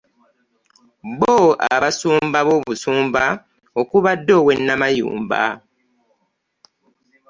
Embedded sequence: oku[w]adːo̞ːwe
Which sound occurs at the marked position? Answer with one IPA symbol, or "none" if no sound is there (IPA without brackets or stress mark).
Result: β